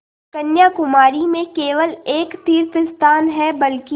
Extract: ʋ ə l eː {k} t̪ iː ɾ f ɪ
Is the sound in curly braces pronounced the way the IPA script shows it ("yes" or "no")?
yes